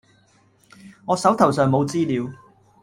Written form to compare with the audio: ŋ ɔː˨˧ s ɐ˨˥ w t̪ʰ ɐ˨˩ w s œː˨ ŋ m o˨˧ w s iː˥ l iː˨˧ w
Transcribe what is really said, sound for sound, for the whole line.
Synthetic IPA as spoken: ŋ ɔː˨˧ s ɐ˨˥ w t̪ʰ ɐ˨˩ w s œː˨ ŋ m o˨˧ w t͡s iː˥ l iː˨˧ w